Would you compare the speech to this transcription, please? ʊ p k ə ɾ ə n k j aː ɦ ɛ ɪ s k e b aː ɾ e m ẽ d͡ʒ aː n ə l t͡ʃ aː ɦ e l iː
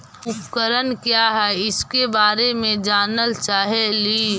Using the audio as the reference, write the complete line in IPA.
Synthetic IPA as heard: ʊ p k ə ɾ ə n k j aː ɦ ɛ ɪ s k e b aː ɾ e m ẽ d͡ʒ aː n ə l t͡ʃ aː ɦ e l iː